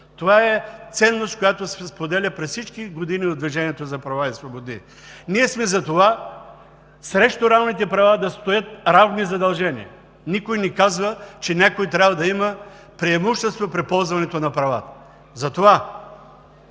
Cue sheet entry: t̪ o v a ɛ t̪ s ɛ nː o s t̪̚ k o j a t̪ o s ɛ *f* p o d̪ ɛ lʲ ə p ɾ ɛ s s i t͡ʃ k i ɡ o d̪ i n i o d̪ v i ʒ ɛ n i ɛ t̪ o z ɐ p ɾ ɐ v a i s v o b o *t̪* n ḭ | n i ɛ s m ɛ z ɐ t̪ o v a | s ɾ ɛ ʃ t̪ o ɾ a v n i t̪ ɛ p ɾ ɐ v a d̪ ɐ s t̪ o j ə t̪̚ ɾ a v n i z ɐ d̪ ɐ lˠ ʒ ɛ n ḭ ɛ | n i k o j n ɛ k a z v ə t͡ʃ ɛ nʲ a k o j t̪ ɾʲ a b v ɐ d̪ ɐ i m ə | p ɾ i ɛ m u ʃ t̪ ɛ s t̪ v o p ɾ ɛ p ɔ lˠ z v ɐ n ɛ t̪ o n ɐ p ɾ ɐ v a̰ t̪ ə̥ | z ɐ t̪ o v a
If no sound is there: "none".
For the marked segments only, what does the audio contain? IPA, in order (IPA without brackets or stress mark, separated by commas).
s, d̪